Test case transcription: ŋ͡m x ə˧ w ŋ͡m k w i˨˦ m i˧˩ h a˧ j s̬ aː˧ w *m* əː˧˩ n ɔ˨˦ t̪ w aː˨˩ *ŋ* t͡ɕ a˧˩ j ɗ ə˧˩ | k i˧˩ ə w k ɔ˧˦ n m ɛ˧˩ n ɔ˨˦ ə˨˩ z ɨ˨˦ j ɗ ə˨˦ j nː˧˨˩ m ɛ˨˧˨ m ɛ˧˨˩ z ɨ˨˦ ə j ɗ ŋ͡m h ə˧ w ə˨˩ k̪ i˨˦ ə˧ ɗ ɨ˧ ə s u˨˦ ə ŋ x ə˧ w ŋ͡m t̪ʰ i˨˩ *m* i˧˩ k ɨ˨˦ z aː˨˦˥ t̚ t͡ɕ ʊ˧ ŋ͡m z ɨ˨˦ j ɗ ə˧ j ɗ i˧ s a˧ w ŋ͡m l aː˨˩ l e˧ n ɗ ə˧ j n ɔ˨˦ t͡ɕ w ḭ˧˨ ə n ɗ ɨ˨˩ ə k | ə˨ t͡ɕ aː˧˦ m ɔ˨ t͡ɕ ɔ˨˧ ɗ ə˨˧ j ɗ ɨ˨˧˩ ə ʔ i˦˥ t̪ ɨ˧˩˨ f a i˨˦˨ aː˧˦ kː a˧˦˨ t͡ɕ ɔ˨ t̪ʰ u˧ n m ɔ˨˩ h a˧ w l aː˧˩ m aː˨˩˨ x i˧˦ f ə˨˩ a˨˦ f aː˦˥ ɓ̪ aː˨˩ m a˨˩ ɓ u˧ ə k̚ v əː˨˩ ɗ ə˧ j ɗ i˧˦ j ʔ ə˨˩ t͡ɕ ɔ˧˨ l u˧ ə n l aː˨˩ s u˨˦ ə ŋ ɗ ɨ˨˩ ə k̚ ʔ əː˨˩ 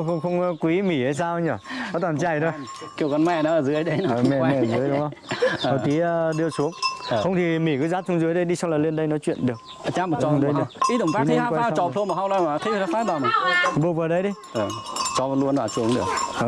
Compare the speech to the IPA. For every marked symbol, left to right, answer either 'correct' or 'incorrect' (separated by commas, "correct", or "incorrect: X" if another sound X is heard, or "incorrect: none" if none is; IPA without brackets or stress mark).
incorrect: ɲ, incorrect: n, correct